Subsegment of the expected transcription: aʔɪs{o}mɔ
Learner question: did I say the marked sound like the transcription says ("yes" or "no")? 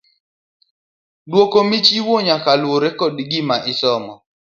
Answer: no